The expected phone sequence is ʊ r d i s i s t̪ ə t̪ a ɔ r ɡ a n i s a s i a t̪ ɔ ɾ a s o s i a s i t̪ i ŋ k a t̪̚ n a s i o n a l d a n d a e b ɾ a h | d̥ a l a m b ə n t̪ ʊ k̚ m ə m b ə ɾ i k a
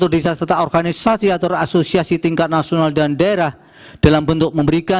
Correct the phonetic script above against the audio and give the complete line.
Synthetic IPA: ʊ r d i s a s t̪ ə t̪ a ɔ r ɡ a n i s a s i a t̪ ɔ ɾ a s o s i a s i t̪ i ŋ k a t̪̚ n a s i o n a l d a n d a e ɾ a h | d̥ a l a m b ə n t̪ ʊ k̚ m ə m b ə ɾ i k a